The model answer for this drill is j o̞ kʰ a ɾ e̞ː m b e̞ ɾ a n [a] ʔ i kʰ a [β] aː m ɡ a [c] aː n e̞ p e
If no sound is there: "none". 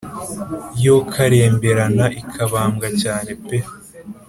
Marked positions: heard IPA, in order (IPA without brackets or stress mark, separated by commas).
a, β, c